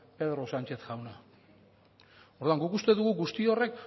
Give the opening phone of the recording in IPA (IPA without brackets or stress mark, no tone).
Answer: p